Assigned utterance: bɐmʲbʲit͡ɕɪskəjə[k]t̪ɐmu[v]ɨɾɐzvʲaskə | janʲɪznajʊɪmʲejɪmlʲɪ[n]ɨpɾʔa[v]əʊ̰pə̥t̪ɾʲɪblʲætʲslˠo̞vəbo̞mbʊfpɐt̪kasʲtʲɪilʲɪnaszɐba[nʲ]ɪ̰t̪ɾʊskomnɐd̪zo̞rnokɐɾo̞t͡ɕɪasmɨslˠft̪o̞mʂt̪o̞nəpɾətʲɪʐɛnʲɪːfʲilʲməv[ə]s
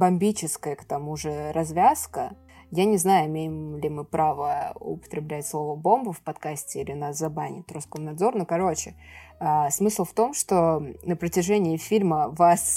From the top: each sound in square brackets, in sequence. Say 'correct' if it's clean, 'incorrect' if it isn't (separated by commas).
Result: correct, incorrect, incorrect, correct, correct, incorrect